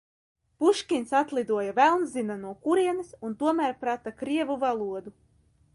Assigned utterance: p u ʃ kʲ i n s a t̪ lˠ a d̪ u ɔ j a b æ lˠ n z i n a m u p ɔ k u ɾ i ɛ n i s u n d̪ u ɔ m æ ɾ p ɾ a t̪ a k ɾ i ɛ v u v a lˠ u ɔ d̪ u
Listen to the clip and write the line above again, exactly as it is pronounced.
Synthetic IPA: p u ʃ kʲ i n s a t̪ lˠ i d̪ u ɔ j a v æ lˠ n z i n a n u ɔ k u ɾ i ɛ n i s u n t̪ u ɔ m æ ɾ p ɾ a t̪ a k ɾ i ɛ v u v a lˠ u ɔ d̪ u